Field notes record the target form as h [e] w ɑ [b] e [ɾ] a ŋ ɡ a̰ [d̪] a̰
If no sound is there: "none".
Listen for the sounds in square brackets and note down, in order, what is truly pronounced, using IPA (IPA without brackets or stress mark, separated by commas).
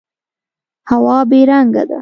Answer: a, b, ɾ, d̪